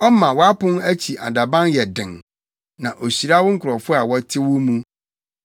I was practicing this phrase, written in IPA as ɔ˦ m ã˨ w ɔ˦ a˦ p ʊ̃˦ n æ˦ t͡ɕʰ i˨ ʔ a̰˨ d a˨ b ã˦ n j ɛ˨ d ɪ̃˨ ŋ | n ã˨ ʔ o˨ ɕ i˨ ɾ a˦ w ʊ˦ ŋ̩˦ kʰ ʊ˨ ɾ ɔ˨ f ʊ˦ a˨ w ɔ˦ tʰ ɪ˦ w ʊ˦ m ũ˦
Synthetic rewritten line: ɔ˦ m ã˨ w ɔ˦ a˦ p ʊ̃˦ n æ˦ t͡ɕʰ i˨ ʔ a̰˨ d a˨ b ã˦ n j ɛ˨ d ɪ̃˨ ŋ | n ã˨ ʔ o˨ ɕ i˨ ɾ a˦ w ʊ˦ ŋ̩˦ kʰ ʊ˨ ɾ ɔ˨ f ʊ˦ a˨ w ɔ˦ tʰ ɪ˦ w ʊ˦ m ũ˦